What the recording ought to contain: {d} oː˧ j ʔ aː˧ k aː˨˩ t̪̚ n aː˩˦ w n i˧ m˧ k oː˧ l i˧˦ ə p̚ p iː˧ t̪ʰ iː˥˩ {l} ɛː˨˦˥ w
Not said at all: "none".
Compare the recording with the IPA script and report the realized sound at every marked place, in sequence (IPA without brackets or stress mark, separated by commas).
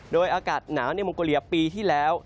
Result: ɗ, l